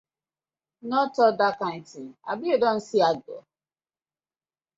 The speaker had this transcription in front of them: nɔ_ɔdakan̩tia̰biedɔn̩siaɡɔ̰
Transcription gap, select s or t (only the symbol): t